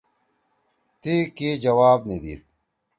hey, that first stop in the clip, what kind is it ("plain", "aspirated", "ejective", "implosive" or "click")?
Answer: plain